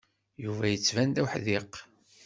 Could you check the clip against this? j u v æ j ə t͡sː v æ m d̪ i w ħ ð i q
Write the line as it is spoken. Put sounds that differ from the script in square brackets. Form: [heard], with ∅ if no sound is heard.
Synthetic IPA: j u v æ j ə t͡sː v æ [n] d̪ [æ] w ħ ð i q

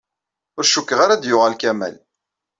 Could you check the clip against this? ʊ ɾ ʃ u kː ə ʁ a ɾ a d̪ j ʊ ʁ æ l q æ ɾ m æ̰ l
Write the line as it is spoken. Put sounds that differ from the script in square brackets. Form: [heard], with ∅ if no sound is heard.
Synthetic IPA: ʊ ɾ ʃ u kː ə ʁ a ɾ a d̪ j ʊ ʁ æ l [k] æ [∅] m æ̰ l

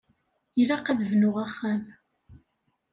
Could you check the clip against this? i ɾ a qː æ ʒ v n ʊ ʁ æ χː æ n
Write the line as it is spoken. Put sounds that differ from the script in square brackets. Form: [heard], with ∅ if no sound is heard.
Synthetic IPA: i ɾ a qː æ [ð] v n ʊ ʁ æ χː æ [m]

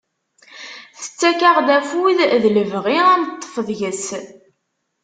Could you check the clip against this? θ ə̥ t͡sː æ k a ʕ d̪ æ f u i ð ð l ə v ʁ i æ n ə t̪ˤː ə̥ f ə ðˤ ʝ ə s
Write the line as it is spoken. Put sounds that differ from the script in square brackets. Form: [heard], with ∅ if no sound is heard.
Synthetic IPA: θ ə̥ t͡sː æ k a [ʁ] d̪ æ f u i ð ð l ə v ʁ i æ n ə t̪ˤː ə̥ f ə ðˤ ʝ ə s

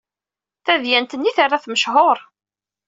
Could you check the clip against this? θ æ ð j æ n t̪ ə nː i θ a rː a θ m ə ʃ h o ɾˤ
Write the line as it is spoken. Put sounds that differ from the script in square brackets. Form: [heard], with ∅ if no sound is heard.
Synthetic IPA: θ æ ð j æ n t̪ ə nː i θ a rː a θ m ə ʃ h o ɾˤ

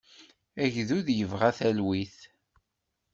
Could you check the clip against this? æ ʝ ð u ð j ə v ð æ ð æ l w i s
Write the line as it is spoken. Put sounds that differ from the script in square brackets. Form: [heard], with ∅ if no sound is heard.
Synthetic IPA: æ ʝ ð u ð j ə v [ʁ] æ [θ] æ l w i [θ]

